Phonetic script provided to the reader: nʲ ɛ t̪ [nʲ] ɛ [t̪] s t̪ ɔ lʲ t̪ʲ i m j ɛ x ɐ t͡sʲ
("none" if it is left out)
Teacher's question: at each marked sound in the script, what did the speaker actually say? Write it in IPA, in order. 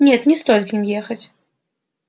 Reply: nʲ, none

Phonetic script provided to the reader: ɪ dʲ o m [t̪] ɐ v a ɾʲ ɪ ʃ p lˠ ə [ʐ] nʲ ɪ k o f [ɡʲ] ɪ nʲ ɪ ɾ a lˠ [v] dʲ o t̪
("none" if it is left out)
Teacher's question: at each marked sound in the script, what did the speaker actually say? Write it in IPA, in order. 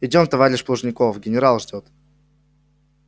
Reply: t̪, ʐ, ɡʲ, ʐ

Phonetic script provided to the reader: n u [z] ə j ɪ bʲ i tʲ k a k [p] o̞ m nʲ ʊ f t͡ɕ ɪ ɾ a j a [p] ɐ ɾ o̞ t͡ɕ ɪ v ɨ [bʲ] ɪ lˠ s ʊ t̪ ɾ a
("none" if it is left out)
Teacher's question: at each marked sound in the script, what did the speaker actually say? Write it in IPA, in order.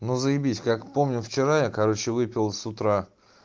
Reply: z, p, k, pʲ

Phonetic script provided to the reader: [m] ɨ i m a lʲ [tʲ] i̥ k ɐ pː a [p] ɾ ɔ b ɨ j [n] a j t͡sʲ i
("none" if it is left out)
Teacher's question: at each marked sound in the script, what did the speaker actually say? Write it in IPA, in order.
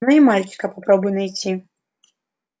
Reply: n, kʲ, p, n

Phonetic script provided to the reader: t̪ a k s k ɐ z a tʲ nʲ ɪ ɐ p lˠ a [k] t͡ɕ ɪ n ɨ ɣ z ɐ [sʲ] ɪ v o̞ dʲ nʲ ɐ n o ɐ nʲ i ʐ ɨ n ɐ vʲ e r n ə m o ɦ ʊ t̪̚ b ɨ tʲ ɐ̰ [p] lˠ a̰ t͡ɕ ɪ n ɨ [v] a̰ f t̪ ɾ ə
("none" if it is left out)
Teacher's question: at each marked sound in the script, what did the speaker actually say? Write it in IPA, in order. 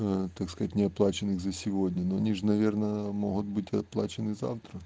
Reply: none, sʲ, p, z

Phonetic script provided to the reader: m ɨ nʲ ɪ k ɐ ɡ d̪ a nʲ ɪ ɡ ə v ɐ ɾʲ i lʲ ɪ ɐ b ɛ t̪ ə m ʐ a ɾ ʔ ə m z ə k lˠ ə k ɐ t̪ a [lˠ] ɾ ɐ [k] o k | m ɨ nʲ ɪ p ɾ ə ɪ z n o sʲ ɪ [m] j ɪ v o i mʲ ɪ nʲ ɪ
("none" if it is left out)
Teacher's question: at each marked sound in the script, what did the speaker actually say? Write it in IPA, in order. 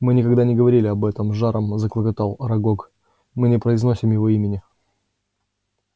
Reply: lˠ, ɡ, m

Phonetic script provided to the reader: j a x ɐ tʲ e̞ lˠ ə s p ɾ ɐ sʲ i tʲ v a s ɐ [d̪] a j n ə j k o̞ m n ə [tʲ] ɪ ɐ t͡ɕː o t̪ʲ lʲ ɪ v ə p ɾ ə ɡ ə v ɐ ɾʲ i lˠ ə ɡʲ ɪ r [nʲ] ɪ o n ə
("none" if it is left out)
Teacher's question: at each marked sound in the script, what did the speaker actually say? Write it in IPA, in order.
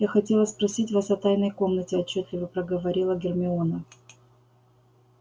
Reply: t̪, tʲ, mʲ

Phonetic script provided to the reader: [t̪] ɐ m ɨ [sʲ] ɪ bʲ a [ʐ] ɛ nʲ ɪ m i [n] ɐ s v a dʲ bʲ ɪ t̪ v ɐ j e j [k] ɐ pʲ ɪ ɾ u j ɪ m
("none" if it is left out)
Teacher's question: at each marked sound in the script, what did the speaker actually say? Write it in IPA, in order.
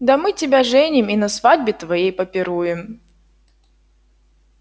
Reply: d̪, tʲ, ʐ, n, p

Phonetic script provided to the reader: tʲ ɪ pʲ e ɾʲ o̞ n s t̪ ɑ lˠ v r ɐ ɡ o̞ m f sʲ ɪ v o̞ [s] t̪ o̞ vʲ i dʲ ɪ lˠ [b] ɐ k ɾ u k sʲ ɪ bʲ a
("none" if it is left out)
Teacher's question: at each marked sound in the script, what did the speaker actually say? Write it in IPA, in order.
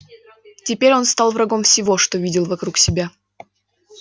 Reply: ʂ, v

